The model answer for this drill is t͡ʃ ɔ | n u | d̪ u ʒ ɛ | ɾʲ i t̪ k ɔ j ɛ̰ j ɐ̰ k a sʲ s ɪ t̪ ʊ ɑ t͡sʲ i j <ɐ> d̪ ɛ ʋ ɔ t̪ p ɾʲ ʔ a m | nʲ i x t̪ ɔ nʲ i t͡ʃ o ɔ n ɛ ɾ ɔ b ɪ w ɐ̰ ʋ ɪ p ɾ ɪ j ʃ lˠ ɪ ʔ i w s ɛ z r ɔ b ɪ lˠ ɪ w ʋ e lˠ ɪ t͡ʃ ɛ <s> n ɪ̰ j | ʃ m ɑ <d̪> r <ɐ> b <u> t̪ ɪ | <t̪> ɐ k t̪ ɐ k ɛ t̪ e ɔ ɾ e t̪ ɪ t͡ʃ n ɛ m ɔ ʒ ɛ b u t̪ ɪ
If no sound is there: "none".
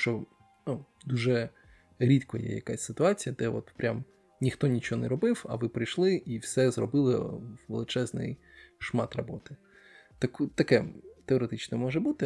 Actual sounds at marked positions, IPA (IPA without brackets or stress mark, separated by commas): ɐ, z, t̪, ɐ, ɔ, t̪